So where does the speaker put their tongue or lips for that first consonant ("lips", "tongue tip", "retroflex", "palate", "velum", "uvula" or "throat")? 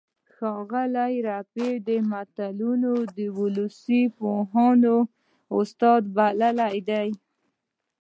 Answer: velum